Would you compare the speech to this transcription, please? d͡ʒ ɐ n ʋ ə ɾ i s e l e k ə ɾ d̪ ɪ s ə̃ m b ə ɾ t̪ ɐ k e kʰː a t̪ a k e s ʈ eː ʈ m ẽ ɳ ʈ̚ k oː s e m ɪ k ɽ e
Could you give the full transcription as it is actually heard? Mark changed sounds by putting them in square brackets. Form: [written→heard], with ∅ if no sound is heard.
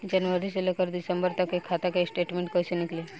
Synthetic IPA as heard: d͡ʒ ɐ n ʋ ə ɾ i s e l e k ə ɾ d̪ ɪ s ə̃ m b ə ɾ t̪ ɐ k e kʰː a t̪ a k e s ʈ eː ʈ m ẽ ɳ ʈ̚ k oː s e [m→n] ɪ k [ɽ→l] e

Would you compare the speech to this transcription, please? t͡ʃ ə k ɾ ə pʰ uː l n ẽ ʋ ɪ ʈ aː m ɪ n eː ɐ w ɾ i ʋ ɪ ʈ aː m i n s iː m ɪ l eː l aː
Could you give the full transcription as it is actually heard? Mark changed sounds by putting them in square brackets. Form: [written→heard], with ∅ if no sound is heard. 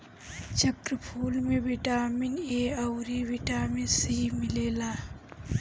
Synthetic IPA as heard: t͡ʃ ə k ɾ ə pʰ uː l [n→m] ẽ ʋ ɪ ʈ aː m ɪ n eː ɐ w ɾ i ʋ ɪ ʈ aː m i n s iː m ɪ l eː l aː

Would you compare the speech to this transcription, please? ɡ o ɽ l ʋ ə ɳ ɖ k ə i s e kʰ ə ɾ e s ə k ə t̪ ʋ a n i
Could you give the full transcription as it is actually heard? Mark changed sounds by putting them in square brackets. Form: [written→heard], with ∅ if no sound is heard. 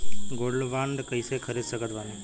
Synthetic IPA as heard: ɡ o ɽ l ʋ [ə→a] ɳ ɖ k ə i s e kʰ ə ɾ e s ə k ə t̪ ʋ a n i

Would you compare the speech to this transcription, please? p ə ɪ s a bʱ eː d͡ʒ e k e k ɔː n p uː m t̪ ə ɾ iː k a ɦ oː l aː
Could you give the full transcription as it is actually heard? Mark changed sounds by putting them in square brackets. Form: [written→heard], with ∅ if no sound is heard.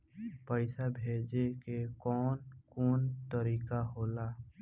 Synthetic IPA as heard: p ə ɪ s a bʱ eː d͡ʒ e k e k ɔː n [p→k] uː [m→n] t̪ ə ɾ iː k a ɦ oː l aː

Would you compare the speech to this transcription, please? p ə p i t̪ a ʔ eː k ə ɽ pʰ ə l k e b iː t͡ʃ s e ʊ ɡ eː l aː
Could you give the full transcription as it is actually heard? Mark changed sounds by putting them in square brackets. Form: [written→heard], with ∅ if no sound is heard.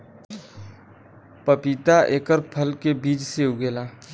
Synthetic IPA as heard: p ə p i t̪ a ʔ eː k ə [ɽ→ɾ] pʰ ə l k e b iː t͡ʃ s e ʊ ɡ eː l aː

